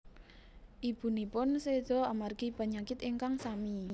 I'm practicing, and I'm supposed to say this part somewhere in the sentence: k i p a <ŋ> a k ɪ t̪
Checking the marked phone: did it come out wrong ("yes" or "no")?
yes